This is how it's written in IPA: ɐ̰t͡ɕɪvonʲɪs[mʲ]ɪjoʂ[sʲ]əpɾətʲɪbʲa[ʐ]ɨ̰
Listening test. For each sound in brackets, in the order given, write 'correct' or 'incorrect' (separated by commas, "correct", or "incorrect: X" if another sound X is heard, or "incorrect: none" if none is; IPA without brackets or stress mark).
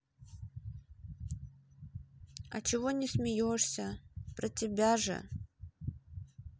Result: correct, correct, correct